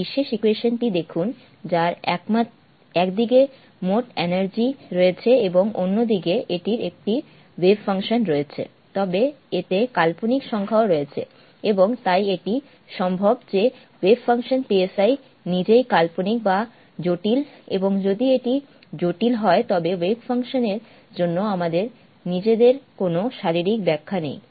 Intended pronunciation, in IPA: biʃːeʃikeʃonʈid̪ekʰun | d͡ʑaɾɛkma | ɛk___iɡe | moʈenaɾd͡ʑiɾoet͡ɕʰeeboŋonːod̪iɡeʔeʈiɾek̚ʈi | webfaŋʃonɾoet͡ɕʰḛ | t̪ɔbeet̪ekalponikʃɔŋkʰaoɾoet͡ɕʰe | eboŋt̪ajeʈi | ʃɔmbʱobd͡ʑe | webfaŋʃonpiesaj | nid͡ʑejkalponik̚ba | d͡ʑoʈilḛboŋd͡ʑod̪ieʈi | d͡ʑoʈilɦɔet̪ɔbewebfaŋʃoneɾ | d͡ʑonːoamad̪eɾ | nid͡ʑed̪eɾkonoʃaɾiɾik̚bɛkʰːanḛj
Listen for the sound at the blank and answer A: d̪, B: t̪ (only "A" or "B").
A